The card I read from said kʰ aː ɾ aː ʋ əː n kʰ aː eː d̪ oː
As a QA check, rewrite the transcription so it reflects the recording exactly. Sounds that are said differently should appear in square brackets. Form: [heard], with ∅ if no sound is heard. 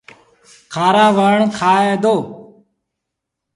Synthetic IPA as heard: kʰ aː ɾ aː ʋ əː [ɳ] kʰ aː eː d̪ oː